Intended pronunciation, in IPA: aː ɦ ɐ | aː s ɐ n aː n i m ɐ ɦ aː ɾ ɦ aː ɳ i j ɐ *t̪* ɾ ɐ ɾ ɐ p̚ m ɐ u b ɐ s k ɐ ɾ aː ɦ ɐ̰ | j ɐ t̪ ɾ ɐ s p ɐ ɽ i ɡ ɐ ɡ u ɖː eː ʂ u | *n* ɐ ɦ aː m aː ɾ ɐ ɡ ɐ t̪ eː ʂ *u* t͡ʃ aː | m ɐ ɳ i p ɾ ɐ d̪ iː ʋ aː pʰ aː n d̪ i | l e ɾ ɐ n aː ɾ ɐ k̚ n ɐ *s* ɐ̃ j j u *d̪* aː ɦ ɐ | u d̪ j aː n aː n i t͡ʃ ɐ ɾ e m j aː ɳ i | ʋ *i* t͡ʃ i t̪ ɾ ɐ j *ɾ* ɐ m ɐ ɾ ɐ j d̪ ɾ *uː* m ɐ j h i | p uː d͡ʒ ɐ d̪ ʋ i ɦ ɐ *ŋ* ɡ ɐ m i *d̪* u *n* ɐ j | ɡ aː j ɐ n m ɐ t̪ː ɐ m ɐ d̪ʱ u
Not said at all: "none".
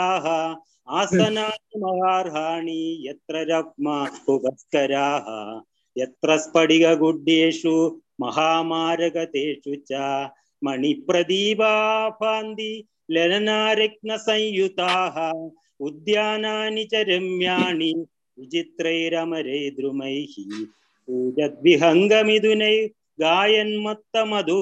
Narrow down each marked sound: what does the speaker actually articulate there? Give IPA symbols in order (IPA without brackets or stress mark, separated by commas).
t̪, m, u, s, t̪, i, ɾ, u, ŋ, d̪, n